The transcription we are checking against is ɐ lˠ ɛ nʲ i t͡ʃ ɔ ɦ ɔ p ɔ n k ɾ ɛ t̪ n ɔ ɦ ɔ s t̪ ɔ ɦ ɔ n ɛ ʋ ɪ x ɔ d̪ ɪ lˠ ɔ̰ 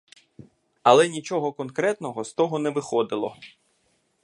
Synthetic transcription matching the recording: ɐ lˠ ɛ nʲ i t͡ʃ ɔ ɦ ɔ k ɔ n k ɾ ɛ t̪ n ɔ ɦ ɔ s t̪ ɔ ɦ ɔ n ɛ ʋ ɪ x ɔ d̪ ɪ lˠ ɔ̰